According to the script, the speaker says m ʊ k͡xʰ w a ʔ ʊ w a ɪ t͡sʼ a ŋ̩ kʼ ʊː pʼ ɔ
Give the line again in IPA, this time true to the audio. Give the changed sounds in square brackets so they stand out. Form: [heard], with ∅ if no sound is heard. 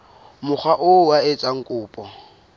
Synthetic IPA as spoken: m ʊ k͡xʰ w a ʔ ʊ w a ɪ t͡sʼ a ŋ̩ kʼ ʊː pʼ ɔ